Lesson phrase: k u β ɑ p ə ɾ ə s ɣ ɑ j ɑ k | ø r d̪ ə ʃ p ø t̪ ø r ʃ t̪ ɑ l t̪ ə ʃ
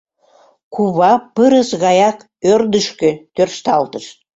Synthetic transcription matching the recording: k u β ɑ p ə ɾ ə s ɣ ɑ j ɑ k | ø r d̪ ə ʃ k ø t̪ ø r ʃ t̪ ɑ l t̪ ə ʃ

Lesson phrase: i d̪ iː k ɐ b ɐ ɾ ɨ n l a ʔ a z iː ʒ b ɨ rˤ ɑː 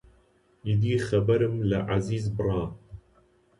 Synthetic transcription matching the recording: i d̪ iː x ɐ b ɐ ɾ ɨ m l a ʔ a z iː z b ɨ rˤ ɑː

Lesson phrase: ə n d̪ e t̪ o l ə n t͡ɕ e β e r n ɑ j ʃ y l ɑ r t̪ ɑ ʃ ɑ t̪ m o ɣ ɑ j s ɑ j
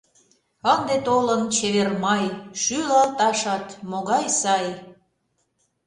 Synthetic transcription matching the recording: ə n d̪ e t̪ o l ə n t͡ɕ e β e r m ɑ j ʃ y l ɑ l t̪ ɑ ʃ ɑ t̪ m o ɣ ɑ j s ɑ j

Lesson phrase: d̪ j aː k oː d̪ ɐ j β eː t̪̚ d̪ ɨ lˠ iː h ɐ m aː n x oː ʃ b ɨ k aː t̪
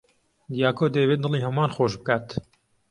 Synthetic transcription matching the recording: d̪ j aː k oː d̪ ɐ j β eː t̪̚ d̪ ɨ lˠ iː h ɐ m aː n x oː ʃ b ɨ k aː t̪

